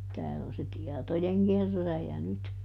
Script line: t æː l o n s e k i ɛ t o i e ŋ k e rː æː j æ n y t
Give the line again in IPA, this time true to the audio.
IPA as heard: t æː l o n s e t i ɛ t o j e ŋ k e rː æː j æ n y t